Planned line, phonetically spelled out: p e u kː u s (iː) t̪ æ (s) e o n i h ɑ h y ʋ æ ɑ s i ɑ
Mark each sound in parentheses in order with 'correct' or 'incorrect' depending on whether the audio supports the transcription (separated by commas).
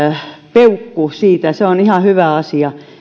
correct, correct